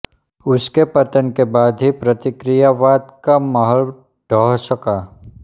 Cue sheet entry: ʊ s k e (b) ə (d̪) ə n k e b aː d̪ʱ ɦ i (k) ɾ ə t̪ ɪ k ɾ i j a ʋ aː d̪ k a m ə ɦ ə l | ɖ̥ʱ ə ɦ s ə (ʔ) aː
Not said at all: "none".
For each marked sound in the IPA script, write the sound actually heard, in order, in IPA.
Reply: p, t̪, p, k

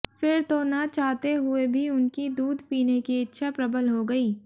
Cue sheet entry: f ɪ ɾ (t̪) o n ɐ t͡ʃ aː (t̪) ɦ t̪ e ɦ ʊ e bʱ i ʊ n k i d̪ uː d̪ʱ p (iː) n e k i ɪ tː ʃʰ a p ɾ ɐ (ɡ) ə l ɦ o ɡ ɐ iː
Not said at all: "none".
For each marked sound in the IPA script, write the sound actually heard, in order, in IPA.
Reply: t̪, none, iː, b

